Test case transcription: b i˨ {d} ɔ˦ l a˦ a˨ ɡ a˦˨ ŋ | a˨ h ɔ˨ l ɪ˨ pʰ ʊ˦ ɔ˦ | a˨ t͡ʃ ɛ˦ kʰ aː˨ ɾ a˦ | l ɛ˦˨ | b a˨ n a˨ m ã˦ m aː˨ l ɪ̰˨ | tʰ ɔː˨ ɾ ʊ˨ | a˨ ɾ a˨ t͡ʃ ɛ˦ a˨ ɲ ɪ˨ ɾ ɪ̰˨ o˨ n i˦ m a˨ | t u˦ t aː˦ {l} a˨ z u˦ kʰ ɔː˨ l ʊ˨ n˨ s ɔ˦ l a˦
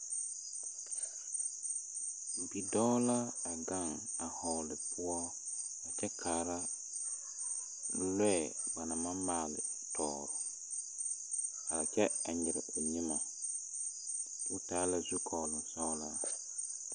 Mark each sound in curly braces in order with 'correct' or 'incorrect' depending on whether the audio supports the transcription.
correct, correct

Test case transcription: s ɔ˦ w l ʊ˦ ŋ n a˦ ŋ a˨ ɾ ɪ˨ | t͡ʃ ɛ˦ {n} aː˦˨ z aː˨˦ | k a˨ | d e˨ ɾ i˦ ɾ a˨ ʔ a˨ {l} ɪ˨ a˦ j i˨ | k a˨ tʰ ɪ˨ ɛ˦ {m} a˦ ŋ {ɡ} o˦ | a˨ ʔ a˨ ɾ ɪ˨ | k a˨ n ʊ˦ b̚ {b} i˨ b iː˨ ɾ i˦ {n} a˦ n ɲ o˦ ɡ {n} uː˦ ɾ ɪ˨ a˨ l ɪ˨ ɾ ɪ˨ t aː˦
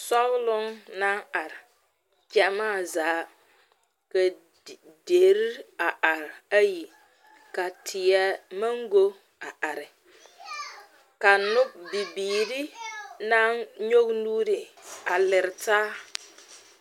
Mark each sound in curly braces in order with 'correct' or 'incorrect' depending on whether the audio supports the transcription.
incorrect, incorrect, correct, correct, correct, correct, correct

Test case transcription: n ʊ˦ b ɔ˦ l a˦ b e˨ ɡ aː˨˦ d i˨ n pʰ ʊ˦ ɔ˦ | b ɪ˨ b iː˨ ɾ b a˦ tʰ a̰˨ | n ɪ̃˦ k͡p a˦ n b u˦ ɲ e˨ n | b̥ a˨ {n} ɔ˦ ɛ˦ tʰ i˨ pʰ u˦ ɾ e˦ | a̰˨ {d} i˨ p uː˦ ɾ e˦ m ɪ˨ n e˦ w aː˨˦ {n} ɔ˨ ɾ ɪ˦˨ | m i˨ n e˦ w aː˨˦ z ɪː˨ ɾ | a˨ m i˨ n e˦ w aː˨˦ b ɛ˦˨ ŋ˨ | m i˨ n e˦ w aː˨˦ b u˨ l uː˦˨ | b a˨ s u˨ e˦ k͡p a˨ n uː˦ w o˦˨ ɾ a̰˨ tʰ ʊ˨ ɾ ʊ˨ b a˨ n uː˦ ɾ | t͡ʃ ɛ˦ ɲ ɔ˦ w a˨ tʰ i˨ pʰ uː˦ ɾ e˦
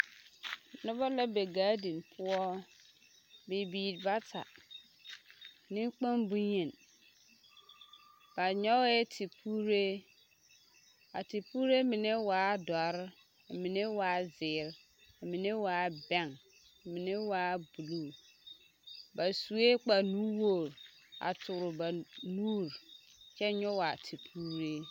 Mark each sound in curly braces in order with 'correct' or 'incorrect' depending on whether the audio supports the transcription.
incorrect, incorrect, incorrect

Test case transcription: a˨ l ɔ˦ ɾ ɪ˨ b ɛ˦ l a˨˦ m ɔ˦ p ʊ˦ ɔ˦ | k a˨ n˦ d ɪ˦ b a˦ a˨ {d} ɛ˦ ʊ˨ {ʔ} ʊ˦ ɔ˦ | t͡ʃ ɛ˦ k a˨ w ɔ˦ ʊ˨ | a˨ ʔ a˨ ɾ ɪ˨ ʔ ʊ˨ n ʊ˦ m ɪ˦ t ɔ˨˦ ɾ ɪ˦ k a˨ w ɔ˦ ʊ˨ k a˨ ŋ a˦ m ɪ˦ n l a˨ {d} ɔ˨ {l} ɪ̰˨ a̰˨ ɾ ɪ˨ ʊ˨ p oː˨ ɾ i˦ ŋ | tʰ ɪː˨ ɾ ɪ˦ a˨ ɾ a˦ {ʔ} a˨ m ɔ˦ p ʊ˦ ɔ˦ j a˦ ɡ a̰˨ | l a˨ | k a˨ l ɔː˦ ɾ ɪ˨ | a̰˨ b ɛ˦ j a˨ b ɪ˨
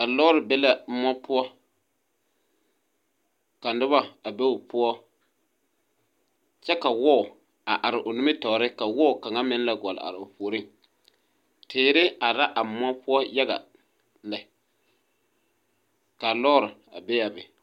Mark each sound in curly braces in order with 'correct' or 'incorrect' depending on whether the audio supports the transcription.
incorrect, incorrect, incorrect, correct, correct

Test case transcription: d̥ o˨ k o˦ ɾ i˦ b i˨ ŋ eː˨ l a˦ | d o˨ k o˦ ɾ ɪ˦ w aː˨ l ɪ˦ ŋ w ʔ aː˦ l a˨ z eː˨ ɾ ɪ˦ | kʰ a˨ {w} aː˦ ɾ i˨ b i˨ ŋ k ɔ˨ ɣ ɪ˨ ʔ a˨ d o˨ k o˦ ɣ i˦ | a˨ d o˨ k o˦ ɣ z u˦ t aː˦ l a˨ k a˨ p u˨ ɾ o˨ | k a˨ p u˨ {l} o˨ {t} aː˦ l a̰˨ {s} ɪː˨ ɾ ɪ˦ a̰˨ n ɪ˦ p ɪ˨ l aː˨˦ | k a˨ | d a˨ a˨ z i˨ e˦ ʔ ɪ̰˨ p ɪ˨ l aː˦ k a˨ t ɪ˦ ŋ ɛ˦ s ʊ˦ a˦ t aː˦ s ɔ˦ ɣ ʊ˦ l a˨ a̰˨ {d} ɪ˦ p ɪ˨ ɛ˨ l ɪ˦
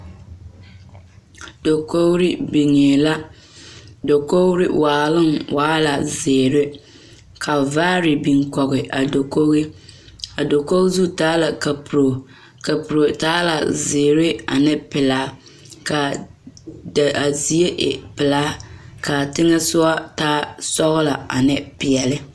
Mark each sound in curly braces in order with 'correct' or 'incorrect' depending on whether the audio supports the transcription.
incorrect, incorrect, correct, incorrect, incorrect

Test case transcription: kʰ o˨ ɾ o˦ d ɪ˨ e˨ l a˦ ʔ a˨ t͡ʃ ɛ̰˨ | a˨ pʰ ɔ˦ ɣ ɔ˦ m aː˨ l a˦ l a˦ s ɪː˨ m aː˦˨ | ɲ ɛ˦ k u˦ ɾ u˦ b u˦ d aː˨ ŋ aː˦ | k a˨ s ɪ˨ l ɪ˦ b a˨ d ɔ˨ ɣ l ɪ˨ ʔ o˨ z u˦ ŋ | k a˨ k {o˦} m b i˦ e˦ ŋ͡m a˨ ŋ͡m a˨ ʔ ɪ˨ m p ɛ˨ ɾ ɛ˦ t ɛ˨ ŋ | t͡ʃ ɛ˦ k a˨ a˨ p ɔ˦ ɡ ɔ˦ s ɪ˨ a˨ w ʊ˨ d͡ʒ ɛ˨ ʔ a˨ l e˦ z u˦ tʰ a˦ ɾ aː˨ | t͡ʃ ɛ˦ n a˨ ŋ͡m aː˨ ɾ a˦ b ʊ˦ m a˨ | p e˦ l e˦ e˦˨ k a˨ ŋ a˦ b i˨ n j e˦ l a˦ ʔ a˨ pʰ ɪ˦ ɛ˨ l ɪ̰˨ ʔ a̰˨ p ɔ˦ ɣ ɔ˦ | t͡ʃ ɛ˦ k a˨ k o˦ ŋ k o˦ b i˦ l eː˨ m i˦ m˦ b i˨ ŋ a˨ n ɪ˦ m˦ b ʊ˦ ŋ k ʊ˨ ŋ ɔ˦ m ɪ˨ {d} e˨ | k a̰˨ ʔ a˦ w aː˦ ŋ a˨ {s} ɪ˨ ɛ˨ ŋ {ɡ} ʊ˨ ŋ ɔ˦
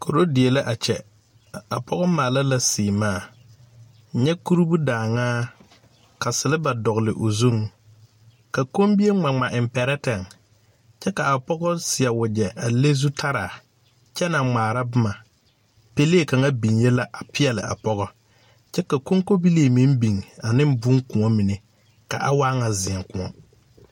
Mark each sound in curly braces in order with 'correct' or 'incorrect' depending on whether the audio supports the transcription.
correct, incorrect, incorrect, incorrect

